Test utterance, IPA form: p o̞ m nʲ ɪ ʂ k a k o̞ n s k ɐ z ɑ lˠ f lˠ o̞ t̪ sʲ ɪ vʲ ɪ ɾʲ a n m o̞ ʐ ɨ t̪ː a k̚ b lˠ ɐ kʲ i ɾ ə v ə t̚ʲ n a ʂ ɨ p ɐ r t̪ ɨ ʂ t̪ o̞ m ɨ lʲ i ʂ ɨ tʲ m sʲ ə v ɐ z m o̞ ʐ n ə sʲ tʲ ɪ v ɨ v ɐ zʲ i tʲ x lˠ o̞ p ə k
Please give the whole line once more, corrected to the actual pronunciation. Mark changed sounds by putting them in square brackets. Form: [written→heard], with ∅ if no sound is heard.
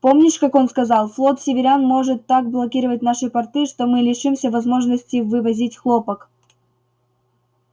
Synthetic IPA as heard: p o̞ m nʲ ɪ ʂ k a k o̞ n s k ɐ z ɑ lˠ f lˠ o̞ t̪ sʲ ɪ vʲ ɪ ɾʲ a n m o̞ ʐ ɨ t̪ː a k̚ b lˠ ɐ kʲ i ɾ ə v ə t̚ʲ n a ʂ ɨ p ɐ r t̪ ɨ ʂ t̪ o̞ m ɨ lʲ [i→ɪ] ʂ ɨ [tʲ→∅] m sʲ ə v ɐ z m o̞ ʐ n ə sʲ tʲ ɪ v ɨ v ɐ zʲ i tʲ x lˠ o̞ p ə k